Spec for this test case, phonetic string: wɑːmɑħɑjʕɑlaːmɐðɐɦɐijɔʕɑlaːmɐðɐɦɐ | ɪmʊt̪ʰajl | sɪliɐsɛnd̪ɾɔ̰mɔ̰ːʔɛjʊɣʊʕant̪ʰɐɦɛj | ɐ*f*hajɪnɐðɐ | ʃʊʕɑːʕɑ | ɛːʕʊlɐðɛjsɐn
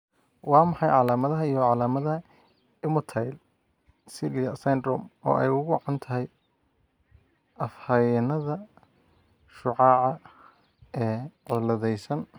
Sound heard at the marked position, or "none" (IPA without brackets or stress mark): f